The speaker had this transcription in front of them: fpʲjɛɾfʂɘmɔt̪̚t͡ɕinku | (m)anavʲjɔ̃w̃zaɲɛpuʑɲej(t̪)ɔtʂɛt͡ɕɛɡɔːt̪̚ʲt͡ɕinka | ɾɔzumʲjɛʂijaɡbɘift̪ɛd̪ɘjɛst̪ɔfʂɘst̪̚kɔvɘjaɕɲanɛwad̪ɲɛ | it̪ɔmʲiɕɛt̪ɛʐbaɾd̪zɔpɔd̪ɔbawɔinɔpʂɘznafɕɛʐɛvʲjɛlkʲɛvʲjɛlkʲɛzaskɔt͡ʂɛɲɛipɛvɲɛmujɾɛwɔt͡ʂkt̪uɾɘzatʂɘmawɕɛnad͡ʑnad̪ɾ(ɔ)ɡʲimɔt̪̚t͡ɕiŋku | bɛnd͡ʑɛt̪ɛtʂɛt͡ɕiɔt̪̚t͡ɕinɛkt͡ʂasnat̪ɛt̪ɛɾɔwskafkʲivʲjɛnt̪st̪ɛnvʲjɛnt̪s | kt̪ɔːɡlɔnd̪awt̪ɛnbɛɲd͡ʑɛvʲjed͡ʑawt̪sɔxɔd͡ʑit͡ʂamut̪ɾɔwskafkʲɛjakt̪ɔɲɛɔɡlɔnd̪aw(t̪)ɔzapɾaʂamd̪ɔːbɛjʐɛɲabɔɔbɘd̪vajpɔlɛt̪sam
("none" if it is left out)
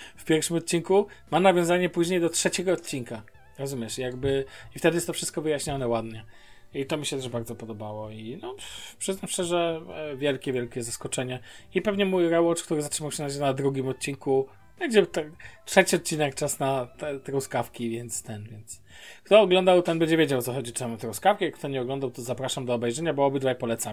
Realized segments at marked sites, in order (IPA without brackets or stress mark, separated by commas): m, d̪, u, t̪